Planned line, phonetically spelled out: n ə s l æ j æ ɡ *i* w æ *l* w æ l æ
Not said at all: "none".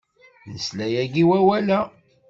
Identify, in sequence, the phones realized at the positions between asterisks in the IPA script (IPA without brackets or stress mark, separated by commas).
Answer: i, none